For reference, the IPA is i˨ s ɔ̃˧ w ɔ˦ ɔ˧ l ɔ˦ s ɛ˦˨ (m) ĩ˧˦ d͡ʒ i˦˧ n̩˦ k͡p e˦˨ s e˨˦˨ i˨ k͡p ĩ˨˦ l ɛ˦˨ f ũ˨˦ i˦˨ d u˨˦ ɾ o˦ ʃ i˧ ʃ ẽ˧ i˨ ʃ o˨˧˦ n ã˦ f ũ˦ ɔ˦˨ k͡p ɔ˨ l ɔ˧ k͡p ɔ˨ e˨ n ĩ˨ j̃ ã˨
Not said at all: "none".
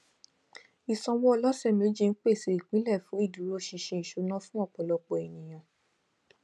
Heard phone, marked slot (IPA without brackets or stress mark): m